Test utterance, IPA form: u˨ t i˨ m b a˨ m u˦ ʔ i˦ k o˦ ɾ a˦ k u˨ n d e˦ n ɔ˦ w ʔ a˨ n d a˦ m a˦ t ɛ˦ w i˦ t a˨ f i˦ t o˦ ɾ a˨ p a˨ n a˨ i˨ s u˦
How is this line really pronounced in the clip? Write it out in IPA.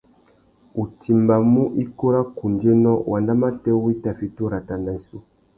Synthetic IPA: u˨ t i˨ m b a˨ m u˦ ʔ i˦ k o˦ ɾ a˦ k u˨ n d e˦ n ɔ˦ w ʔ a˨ n d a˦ m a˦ t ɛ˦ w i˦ t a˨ f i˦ t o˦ ɾ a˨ t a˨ n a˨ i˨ s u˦